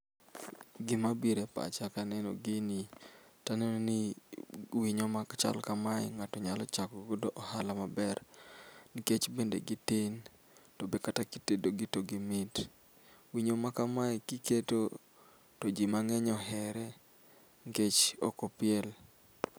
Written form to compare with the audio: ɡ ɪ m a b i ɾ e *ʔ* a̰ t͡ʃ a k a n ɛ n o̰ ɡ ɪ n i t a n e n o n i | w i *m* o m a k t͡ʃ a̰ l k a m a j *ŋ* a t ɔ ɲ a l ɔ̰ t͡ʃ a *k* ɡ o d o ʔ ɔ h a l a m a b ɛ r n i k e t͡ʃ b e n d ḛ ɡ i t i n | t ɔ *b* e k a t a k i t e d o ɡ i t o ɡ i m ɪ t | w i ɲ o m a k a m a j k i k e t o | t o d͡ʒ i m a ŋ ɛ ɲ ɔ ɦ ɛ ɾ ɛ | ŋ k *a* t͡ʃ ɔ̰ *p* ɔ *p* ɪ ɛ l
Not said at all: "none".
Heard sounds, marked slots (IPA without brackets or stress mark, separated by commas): p, ɲ, ŋ, k, b, e, k, p